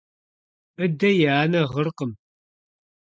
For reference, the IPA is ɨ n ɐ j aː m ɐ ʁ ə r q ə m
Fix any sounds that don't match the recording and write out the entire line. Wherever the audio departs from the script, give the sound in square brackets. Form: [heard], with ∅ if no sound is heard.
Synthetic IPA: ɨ [d] ɐ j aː [n] ɐ ʁ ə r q ə m